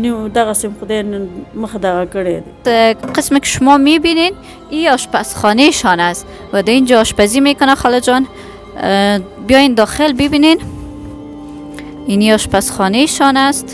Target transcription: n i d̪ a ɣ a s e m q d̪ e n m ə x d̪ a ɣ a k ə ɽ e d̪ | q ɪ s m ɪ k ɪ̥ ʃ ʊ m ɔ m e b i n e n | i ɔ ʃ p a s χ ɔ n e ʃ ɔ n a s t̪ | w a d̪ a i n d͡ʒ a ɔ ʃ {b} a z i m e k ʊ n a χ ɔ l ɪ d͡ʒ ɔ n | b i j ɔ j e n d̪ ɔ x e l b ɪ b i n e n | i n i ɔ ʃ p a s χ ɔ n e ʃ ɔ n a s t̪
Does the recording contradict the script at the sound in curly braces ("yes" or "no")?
yes